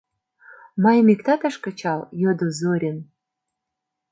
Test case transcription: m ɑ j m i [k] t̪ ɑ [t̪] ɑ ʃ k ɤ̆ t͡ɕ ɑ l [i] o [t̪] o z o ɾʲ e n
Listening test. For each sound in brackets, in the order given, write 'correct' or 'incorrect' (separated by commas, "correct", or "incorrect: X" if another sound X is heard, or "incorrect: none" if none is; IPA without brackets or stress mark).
correct, correct, incorrect: j, incorrect: d̪